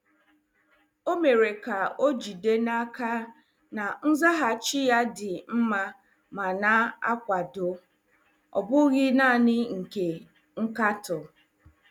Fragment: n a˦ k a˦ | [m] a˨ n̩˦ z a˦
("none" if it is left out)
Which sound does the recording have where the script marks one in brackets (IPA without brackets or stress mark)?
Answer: n